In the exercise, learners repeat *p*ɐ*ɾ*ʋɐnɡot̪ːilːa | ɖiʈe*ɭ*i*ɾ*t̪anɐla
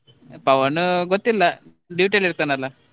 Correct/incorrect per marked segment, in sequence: correct, incorrect, incorrect, correct

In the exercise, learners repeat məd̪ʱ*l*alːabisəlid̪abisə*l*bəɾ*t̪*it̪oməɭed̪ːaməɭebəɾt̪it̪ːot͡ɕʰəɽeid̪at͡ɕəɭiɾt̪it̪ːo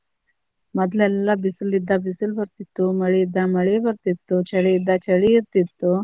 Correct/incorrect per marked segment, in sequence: correct, correct, correct

